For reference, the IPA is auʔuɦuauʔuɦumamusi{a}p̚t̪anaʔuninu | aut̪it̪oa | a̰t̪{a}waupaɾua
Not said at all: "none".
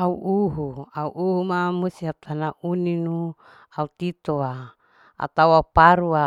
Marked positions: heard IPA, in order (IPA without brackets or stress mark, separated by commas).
a, a